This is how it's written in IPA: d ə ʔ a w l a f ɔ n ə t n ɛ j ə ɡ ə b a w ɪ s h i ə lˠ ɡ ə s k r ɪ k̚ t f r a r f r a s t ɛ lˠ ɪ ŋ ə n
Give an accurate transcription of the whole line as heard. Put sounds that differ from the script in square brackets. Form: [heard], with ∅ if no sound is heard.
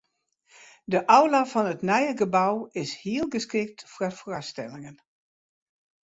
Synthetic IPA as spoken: d ə ʔ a w l a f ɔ n ə t n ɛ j ə ɡ ə b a w ɪ s h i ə lˠ ɡ ə s k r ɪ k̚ t f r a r f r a s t ɛ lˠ ɪ ŋ ə n